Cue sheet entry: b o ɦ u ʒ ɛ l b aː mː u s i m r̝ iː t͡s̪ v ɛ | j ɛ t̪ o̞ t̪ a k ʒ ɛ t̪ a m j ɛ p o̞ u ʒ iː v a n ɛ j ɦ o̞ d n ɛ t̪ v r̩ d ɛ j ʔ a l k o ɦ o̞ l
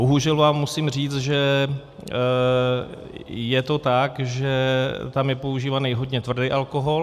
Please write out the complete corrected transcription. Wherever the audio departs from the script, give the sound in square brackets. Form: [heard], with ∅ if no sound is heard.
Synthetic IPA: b o ɦ u ʒ ɛ l [v] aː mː u s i m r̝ iː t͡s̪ [ʒ] ɛ | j ɛ t̪ o̞ t̪ a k ʒ ɛ t̪ a m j ɛ p o̞ u ʒ iː v a n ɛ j ɦ o̞ d [ɲ] ɛ t̪ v r̩ d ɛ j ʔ a l k o ɦ o̞ l